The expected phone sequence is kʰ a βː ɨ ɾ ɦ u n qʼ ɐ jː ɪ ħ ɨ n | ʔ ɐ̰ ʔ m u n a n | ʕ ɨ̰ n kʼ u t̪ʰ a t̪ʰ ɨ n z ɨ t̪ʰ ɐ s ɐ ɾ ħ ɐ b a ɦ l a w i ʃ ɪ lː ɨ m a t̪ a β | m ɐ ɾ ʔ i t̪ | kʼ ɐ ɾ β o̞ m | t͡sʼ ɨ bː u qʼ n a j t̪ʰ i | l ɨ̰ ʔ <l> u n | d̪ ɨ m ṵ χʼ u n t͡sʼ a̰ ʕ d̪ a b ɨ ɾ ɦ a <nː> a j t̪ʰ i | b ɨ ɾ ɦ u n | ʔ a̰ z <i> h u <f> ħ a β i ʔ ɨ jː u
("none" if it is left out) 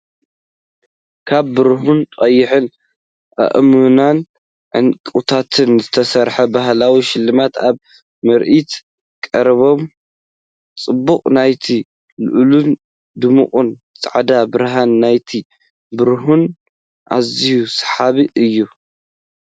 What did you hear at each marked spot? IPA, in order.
l, nː, i, s

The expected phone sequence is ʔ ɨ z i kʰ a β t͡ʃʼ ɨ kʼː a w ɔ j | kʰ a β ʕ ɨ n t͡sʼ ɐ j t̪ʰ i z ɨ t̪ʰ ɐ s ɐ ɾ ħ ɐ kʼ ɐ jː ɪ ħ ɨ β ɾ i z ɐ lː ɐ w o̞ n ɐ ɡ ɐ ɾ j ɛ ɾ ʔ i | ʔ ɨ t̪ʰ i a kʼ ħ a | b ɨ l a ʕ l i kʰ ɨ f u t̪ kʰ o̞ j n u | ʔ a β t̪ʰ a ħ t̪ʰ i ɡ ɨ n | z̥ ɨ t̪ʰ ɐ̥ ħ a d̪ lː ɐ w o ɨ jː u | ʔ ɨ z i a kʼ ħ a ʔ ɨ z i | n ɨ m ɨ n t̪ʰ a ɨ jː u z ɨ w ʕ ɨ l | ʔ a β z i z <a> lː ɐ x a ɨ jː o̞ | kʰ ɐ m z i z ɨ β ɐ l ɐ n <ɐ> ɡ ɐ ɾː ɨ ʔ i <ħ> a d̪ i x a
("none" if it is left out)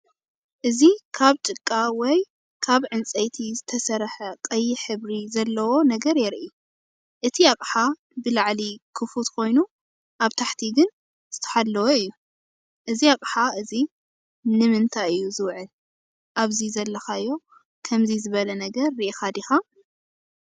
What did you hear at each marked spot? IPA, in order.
ɐ, ɐ, x

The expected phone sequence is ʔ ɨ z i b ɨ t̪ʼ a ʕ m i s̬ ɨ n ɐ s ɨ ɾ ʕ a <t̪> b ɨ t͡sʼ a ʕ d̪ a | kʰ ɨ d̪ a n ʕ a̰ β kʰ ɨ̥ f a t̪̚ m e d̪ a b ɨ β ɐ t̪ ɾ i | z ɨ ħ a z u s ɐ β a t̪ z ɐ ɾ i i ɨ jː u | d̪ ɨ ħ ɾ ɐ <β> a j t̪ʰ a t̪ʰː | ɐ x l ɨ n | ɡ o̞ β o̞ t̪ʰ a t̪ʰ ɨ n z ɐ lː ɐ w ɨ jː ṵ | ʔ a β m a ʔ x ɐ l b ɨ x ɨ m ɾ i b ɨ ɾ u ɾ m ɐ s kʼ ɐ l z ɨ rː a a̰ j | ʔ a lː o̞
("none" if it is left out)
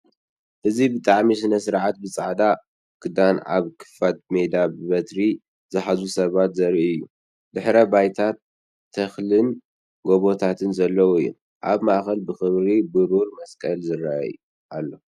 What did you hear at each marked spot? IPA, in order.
t̪, b

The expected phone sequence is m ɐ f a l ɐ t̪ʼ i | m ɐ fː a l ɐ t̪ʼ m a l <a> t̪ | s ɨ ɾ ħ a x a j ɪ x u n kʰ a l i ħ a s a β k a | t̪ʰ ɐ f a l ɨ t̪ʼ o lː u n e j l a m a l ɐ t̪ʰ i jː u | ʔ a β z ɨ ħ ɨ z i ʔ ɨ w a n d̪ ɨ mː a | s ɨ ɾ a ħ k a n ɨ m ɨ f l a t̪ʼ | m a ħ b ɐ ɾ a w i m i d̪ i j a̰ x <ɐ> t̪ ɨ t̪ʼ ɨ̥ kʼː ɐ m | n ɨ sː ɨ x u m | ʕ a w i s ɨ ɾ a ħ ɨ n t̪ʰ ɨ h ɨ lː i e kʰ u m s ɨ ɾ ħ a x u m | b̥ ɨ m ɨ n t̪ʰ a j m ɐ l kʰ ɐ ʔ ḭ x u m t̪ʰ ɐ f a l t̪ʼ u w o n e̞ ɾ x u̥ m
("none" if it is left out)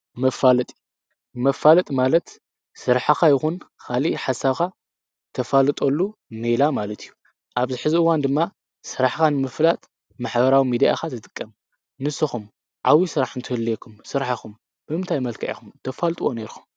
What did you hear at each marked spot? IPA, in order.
ɐ, a

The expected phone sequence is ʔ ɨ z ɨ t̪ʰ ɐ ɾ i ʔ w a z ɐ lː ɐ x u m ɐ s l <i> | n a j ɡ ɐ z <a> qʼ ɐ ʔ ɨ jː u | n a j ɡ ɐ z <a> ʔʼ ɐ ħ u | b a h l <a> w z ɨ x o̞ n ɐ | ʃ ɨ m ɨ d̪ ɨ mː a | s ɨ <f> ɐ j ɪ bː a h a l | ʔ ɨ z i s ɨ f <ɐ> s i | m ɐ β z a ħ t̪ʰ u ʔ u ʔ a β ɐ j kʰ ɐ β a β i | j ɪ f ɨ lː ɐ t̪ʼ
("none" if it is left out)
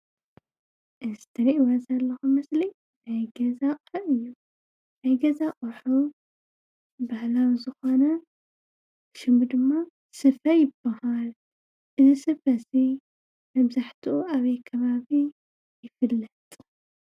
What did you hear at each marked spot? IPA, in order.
i, a, a, a, f, ɐ

